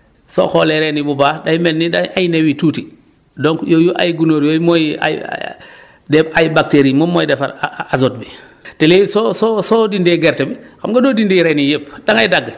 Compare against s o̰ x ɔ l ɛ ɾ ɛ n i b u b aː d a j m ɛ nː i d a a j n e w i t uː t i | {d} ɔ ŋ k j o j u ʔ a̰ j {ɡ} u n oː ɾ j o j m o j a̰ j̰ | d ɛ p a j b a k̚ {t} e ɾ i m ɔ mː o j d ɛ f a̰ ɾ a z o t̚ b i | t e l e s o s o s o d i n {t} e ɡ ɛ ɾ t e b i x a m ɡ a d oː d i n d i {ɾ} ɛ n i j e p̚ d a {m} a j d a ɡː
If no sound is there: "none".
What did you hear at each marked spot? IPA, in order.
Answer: d, ɡ, t, d, ɾ, ŋ

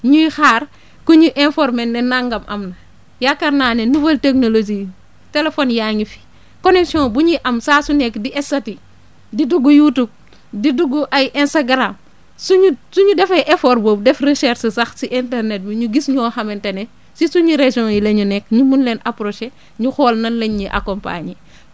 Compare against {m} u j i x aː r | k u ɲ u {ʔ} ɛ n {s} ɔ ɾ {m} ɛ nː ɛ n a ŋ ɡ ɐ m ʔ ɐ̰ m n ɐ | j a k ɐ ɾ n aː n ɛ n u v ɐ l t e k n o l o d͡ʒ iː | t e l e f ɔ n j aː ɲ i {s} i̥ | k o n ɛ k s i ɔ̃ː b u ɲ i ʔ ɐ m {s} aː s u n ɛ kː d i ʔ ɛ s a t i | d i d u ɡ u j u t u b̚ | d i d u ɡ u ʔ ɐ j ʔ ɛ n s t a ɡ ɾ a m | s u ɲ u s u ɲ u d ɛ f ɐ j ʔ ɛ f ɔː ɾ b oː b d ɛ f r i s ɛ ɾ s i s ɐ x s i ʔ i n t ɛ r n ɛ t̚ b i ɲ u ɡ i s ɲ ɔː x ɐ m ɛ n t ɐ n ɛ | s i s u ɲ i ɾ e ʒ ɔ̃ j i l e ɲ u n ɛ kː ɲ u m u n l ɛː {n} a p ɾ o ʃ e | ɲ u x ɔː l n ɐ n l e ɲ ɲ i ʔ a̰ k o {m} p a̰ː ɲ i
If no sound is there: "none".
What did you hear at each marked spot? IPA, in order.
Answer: ɲ, ʔ, f, m, f, s, n, m

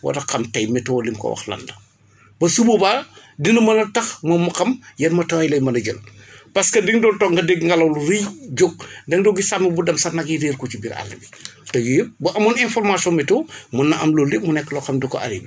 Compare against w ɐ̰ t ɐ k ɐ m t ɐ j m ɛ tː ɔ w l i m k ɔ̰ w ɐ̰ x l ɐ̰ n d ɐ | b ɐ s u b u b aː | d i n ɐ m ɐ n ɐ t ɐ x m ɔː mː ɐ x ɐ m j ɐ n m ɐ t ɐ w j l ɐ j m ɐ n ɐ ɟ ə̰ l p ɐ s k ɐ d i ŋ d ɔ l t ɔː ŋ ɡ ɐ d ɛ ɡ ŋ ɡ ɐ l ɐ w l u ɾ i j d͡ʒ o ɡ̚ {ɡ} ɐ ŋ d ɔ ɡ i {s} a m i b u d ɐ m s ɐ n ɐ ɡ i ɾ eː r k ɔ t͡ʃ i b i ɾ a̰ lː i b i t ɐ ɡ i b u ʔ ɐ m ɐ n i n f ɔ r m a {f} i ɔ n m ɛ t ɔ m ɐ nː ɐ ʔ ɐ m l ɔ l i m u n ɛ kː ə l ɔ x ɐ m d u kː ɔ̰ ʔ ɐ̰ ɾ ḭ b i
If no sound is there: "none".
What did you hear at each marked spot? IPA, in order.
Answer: d, s, s

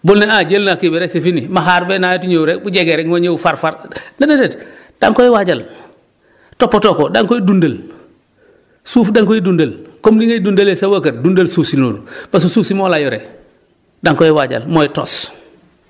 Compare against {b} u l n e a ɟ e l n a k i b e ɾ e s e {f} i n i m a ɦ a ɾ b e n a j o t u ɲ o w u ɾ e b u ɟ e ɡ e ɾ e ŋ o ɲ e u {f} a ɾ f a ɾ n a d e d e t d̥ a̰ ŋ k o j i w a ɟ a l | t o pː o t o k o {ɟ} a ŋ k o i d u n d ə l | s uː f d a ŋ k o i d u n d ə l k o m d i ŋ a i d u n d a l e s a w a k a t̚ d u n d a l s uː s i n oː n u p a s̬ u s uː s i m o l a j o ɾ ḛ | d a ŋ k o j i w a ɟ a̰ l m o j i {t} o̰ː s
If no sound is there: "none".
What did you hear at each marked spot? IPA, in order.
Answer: b, f, f, d, t

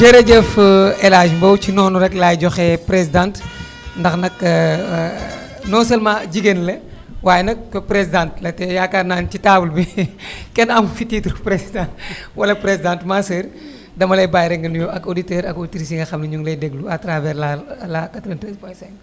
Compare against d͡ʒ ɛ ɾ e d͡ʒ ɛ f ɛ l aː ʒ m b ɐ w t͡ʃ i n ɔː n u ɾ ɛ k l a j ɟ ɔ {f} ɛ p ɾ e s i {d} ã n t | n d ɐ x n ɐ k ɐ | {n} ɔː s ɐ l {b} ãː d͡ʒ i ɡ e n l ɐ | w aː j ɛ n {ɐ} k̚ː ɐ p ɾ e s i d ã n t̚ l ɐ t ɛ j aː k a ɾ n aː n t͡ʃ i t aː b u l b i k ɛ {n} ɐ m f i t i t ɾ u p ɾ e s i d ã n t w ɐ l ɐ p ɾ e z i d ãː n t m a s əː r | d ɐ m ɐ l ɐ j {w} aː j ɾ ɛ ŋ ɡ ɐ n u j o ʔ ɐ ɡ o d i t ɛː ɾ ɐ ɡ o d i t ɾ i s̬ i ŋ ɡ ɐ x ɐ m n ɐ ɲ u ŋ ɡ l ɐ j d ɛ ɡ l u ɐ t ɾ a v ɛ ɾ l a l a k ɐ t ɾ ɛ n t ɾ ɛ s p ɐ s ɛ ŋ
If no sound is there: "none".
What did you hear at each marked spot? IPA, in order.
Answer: x, d, n, m, ɐ, n, b

